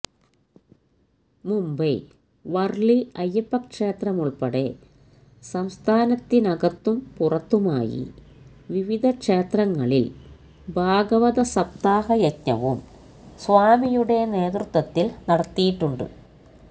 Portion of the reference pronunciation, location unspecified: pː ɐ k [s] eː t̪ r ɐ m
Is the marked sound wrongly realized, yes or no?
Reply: yes